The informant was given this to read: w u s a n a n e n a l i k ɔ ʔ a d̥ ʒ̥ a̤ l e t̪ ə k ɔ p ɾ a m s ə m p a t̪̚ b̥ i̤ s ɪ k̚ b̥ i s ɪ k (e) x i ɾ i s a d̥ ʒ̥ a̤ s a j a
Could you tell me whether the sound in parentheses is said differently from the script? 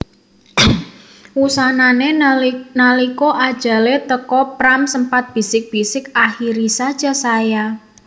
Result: yes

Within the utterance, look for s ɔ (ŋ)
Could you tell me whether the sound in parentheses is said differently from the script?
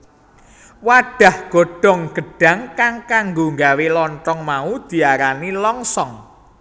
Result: no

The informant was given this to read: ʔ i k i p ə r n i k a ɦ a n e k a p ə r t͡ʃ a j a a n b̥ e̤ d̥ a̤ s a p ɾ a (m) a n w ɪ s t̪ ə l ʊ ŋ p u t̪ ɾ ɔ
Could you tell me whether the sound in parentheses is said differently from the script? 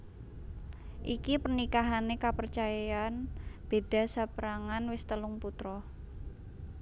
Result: yes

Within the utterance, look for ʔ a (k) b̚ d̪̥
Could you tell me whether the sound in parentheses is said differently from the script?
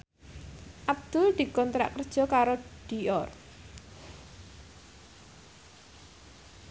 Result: yes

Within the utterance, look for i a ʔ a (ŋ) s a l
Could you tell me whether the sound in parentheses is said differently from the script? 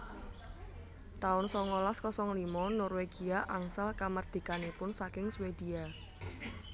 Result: no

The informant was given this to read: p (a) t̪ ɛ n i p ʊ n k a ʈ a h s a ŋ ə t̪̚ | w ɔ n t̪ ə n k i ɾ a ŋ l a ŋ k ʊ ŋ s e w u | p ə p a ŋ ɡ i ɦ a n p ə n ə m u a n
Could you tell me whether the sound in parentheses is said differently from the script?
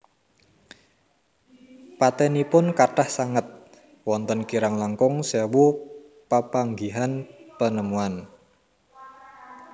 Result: no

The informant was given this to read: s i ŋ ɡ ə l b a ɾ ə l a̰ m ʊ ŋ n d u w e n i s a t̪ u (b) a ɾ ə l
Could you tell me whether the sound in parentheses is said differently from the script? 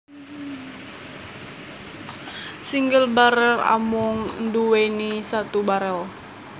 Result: no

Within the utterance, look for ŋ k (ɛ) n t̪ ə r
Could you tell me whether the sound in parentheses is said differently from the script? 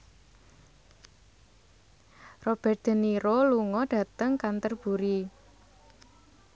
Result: yes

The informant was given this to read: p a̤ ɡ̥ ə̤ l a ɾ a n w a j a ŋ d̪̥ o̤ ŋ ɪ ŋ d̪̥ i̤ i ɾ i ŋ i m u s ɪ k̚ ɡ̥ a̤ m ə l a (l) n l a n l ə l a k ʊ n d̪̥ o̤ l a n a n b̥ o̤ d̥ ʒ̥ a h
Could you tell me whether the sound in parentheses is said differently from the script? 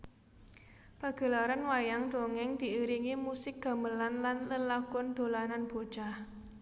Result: yes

